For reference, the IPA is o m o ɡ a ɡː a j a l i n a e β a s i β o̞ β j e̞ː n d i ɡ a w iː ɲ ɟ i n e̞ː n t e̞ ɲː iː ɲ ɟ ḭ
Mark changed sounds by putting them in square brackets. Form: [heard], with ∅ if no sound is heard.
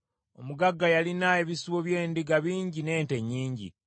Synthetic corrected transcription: o m [u] ɡ a ɡː a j a l i n a e β [i] s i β o̞ β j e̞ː n d i ɡ a [β] iː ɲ ɟ i n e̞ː n t e̞ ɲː iː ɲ ɟ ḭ